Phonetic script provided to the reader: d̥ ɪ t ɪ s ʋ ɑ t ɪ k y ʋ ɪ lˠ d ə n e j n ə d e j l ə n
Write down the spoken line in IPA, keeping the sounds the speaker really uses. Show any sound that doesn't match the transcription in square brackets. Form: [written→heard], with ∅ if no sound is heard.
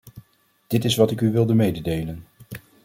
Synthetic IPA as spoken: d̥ ɪ t ɪ s ʋ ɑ t ɪ k y ʋ ɪ lˠ d ə [n→m] e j [n→d] ə d e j l ə n

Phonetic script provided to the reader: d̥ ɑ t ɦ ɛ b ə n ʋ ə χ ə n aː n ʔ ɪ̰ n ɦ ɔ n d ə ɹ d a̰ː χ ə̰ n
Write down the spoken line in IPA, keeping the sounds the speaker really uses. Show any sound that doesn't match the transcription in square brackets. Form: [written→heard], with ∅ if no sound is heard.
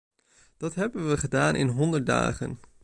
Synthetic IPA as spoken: d̥ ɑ t ɦ ɛ b ə n ʋ ə χ ə [n→d] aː n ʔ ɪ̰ n ɦ ɔ n d ə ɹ d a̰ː χ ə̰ n

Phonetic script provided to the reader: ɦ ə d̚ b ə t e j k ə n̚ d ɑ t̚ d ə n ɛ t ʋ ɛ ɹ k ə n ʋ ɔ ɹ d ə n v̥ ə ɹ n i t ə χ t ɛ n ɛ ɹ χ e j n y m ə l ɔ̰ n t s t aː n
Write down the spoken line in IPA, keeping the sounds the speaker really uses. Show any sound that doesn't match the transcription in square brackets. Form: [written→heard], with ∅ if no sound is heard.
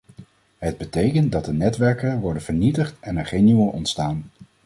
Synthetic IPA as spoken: ɦ ə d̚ b ə t e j k ə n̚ d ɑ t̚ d ə n ɛ t ʋ ɛ ɹ k ə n ʋ ɔ ɹ d ə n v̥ ə ɹ n i t ə χ t ɛ n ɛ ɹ χ e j n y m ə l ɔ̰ n t s t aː n

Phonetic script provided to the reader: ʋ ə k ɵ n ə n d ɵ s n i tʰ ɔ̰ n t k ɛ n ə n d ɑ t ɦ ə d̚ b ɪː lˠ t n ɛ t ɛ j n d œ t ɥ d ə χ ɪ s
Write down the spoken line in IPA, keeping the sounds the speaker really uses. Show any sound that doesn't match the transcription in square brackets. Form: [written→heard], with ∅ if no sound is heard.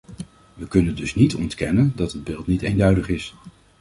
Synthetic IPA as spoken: ʋ ə k ɵ n ə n d ɵ s n i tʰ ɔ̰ n t k ɛ n ə n d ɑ t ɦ ə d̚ b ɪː lˠ t n [ɛ→i] t [ɛ→e] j n d œ [t→∅] ɥ d ə χ ɪ s

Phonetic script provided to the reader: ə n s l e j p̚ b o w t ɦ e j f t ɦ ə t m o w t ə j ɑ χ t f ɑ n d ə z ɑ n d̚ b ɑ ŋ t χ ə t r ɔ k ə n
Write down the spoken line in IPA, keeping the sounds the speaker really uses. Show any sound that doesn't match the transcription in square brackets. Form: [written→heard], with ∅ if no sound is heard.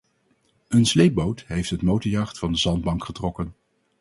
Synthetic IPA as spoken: ə n s l e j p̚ b o w t ɦ e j f t ɦ ə t m o w t ə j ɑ χ t f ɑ n d ə z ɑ n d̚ b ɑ ŋ [t→k] χ ə t r ɔ k ə n

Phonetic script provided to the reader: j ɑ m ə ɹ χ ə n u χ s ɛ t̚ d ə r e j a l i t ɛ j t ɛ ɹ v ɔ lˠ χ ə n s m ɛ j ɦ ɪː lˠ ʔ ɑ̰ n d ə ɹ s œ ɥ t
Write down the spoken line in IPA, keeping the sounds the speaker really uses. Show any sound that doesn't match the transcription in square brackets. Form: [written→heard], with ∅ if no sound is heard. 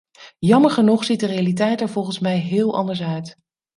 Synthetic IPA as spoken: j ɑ m ə ɹ χ ə n u χ s [ɛ→i] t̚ d ə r e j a l i t ɛ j t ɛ ɹ v ɔ lˠ χ ə n s m ɛ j ɦ ɪː lˠ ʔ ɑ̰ n d ə ɹ s œ ɥ t

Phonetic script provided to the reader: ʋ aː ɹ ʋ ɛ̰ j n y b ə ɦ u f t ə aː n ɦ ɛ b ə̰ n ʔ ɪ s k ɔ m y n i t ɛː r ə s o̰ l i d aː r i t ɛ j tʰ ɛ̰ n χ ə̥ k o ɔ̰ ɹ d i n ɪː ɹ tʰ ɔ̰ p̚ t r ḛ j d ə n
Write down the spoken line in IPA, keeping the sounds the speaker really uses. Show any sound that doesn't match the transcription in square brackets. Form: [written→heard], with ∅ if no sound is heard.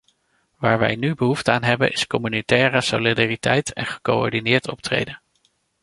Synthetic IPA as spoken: ʋ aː ɹ ʋ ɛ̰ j n y b ə ɦ u f t ə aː n ɦ ɛ b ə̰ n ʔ ɪ s k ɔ m y n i t ɛː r ə s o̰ l i d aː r i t ɛ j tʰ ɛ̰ n χ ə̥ k o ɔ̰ ɹ d i n ɪː ɹ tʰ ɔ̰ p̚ t r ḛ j d ə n

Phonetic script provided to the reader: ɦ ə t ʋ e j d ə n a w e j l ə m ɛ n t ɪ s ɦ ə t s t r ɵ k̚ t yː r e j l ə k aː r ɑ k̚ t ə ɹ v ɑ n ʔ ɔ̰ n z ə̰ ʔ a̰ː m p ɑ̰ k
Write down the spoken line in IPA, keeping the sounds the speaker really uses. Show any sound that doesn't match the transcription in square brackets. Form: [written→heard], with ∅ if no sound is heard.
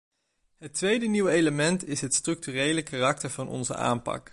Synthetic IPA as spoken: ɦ ə t ʋ e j d ə n [a→i] w e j l ə m ɛ n t ɪ s ɦ ə t s t r ɵ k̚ t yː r e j l ə k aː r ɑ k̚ t ə ɹ v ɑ n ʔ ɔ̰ n z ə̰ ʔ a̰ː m p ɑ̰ k

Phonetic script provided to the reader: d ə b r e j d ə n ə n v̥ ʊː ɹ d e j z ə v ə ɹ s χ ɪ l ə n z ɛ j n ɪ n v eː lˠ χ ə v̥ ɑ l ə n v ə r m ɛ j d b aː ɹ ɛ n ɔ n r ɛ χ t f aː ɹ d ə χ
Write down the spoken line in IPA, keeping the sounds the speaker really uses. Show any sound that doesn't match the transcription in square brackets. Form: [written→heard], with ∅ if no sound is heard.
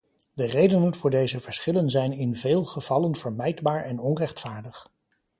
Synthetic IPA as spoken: d ə [b→∅] r e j d ə n ə n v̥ ʊː ɹ d e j z ə v ə ɹ s χ ɪ l ə n z ɛ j n ɪ n v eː lˠ χ ə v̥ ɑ l ə n v ə [r→ɹ] m ɛ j d b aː ɹ ɛ n ɔ n r ɛ χ t f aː ɹ d ə χ

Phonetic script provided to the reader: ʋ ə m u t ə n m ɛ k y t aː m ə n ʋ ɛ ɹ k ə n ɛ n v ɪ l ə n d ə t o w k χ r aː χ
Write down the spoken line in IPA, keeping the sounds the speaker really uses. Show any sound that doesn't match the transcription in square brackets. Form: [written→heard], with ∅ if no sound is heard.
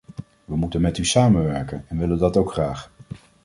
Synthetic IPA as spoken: ʋ ə m u t ə n m ɛ [k→t] y [t→s] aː m ə n ʋ ɛ ɹ k ə n ɛ n [v→ʋ] ɪ l ə n d [ə→ɑ] t o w k χ r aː χ

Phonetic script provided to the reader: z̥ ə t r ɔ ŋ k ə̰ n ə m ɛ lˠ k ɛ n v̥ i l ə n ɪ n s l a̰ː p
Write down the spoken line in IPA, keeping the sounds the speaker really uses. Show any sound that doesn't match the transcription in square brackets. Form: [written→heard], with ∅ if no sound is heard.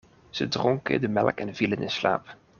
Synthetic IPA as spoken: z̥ ə [t→d] r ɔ ŋ k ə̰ [n→d] ə m ɛ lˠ k ɛ n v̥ i l ə n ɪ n s l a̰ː p

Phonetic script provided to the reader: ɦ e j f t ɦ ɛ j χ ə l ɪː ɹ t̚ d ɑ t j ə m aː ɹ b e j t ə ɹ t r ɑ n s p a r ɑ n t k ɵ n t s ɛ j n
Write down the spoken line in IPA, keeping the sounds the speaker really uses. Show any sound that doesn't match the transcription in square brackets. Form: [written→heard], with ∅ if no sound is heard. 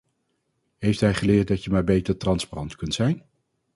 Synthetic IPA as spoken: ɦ e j f t ɦ ɛ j χ ə l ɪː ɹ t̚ d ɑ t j ə m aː ɹ b e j t ə ɹ t r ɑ n s p a r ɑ n t k ɵ n t s ɛ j n

